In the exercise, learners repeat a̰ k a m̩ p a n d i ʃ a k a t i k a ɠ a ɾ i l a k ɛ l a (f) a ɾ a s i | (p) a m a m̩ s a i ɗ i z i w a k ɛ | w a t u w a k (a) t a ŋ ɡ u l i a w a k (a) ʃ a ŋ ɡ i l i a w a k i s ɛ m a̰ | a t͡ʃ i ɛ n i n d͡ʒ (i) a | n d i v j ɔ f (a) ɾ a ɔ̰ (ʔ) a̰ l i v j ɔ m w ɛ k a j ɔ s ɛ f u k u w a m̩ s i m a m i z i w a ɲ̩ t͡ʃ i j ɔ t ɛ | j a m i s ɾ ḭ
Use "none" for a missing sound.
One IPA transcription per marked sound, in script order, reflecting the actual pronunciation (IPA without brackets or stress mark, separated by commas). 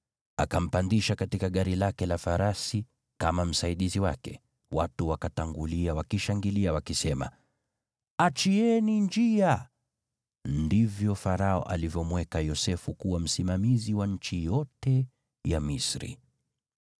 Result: f, k, a, i, i, a, ʔ